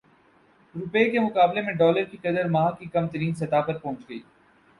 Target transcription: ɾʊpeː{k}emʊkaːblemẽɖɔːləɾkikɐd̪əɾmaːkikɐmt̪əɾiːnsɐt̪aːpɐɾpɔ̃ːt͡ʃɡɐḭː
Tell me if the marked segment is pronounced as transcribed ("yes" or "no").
yes